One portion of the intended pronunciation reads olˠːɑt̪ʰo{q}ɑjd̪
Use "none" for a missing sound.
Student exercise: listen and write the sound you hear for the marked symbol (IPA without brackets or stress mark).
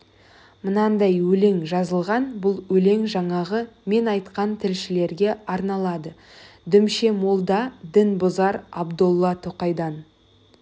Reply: q